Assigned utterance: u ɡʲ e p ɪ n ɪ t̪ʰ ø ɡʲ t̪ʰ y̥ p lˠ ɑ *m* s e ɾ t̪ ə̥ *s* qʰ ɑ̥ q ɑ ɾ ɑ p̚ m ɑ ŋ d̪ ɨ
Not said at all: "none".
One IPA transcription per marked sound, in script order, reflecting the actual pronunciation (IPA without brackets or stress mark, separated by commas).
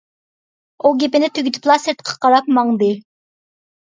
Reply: none, none